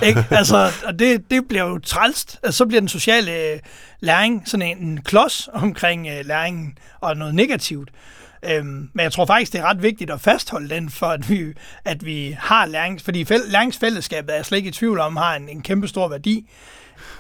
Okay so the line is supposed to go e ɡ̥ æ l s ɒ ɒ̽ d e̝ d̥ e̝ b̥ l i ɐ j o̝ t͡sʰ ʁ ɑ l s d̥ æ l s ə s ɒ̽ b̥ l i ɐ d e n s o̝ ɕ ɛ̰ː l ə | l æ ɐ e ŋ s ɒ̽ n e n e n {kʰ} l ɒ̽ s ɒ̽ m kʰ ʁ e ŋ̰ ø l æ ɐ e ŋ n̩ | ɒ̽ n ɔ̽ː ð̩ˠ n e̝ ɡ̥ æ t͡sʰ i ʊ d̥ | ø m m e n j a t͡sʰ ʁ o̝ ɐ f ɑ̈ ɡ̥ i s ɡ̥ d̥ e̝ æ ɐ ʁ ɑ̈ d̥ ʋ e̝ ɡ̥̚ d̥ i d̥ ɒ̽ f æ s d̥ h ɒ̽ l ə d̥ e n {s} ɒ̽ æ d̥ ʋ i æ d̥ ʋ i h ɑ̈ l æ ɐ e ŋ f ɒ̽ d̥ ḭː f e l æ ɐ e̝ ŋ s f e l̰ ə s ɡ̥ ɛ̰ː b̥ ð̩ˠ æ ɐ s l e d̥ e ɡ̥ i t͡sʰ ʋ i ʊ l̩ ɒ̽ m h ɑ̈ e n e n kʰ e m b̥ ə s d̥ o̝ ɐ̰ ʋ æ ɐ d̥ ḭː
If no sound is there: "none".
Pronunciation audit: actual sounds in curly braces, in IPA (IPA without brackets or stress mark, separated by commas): kʰ, f